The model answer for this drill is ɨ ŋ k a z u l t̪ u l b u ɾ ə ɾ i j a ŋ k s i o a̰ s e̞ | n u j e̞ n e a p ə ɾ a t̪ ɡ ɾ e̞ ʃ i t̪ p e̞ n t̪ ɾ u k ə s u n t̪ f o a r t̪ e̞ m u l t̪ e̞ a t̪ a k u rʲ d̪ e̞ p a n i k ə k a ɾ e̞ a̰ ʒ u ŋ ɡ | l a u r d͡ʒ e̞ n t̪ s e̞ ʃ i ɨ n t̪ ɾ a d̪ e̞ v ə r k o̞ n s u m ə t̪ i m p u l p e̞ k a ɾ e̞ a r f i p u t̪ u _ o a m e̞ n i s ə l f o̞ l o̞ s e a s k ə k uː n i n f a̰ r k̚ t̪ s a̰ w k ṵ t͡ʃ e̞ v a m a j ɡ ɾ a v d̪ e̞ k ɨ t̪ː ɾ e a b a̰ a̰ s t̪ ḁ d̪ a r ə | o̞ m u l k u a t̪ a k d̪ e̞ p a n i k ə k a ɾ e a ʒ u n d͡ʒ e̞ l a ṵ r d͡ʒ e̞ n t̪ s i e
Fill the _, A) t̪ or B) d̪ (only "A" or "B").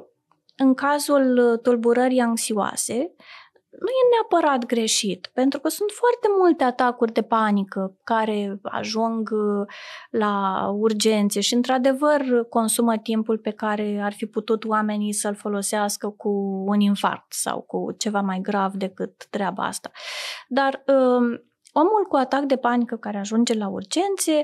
A